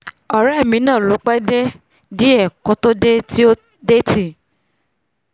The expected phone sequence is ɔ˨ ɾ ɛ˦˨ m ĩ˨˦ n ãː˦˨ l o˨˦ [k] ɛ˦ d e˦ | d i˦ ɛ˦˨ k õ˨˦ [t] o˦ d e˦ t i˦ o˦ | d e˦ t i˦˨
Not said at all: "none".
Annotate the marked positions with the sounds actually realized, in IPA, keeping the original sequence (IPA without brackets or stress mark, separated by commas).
k͡p, t